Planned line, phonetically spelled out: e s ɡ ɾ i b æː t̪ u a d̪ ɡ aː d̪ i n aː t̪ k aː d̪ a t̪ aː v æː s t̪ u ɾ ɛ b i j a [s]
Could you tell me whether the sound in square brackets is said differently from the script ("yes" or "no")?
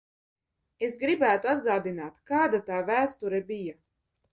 yes